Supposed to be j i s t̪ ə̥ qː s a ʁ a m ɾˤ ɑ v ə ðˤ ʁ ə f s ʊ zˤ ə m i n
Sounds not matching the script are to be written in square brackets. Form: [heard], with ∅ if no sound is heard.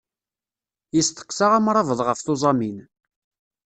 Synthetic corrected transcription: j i s t̪ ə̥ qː s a ʁ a m ɾˤ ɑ v ə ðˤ ʁ ə f [θ] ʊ zˤ [ɑ] m i n